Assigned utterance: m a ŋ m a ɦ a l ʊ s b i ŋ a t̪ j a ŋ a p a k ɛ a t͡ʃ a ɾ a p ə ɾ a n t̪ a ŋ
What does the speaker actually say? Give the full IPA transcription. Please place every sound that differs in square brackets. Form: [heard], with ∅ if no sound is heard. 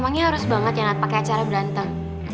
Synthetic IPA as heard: m a ŋ [ɲ] a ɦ a [ɾ] ʊ s b [a] ŋ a t̪ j a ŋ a p a k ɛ a t͡ʃ a ɾ a [b] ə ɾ a n t̪ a ŋ